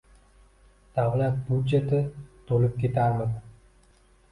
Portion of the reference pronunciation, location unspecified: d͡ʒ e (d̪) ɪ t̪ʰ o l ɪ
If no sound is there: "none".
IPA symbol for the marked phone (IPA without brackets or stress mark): t̪